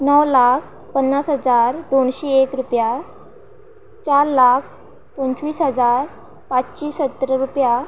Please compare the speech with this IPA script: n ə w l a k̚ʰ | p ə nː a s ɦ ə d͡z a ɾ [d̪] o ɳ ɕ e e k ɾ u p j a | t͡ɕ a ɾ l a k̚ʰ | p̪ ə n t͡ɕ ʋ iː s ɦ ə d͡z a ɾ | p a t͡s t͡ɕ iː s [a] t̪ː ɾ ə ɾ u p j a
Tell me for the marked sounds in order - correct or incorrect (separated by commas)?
correct, incorrect